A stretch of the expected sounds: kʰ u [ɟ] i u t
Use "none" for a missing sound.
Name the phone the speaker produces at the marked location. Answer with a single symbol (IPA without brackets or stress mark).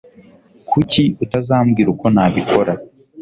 c